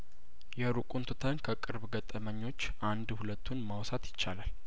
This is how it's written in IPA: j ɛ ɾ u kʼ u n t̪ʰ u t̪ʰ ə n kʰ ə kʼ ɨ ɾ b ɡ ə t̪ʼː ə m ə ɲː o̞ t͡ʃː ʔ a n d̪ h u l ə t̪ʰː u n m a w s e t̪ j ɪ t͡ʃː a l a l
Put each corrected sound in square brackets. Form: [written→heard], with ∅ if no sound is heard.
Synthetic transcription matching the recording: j ɛ ɾ u kʼ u n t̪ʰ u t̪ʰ ə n kʰ ə kʼ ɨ ɾ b ɡ ə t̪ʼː ə m ə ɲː o̞ t͡ʃː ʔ a n d̪ h u l ə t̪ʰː u n m a w s [e→a] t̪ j ɪ t͡ʃː a l a l